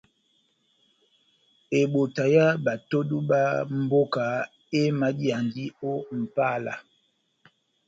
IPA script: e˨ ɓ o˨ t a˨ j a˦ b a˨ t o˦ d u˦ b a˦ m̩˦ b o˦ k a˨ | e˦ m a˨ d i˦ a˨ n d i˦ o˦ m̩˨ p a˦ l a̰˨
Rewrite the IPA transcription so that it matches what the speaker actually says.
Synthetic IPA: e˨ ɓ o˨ t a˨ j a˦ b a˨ t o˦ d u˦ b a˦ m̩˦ b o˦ k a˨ | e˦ m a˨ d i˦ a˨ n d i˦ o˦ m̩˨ p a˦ l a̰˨